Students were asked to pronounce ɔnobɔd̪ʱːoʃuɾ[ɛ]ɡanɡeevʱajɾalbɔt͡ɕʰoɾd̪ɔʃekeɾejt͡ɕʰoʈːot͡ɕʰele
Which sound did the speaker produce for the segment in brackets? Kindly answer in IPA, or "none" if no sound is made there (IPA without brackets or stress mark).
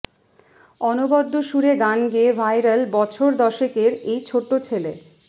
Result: e